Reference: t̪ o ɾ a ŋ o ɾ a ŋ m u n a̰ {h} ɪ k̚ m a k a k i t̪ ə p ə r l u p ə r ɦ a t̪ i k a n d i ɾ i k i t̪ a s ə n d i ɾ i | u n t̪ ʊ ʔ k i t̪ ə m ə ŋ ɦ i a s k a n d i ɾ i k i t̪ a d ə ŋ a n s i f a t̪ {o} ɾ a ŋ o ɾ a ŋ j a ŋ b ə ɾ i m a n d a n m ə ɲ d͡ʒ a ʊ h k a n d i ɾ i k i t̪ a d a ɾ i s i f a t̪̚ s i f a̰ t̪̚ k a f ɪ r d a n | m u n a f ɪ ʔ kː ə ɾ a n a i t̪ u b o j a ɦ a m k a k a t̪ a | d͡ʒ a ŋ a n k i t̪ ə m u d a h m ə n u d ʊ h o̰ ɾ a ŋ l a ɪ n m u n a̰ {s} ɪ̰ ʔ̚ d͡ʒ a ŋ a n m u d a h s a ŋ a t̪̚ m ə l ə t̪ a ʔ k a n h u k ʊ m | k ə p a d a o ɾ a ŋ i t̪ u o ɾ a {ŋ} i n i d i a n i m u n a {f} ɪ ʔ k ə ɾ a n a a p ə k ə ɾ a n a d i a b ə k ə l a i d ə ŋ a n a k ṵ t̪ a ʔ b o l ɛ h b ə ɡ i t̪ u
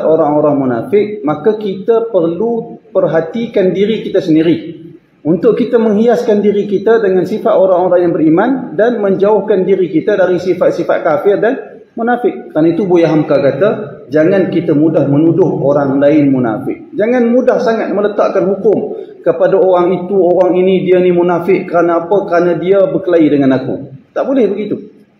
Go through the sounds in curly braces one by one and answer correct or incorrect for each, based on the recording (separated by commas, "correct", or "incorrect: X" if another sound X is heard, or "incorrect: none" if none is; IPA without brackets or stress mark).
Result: incorrect: f, correct, incorrect: f, correct, correct